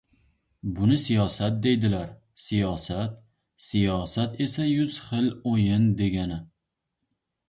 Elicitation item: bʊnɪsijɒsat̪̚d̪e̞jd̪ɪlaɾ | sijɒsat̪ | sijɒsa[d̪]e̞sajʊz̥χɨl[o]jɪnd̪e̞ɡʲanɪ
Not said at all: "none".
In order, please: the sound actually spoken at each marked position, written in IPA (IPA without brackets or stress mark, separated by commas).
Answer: t̪, o